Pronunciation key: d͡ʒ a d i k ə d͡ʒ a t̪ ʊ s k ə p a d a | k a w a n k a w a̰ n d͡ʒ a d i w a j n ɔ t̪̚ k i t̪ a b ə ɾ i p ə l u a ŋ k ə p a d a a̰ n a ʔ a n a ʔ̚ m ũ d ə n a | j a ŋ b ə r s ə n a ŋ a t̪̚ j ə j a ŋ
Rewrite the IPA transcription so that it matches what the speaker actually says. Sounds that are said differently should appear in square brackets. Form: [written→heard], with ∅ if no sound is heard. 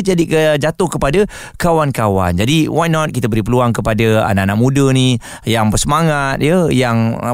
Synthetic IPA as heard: d͡ʒ a d i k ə d͡ʒ a t̪ ʊ [s→h] k ə p a d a | k a w a n k a w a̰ n d͡ʒ a d i w a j n ɔ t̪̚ k i t̪ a b ə ɾ i p ə l u a ŋ k ə p a d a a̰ n a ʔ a n a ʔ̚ m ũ d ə n [a→i] | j a ŋ b ə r s ə [n→m] a ŋ a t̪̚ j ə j a ŋ